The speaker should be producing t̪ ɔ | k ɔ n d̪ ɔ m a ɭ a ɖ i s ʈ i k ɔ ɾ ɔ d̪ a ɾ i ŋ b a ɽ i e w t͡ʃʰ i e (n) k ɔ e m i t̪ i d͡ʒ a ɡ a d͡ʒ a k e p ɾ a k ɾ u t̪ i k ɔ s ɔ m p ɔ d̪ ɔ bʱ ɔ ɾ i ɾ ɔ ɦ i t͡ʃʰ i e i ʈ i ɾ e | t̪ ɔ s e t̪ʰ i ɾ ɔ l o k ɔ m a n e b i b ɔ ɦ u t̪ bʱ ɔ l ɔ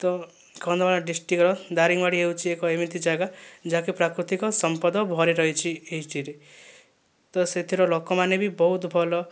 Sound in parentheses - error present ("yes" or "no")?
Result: yes